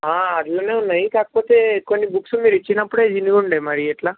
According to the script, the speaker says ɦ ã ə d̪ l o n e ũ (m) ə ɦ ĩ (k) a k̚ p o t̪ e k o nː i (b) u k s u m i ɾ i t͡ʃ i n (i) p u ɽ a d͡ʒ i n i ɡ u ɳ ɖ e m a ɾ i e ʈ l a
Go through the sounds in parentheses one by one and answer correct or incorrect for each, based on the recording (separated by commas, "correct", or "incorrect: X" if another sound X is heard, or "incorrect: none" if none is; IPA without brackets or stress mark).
incorrect: n, correct, correct, incorrect: a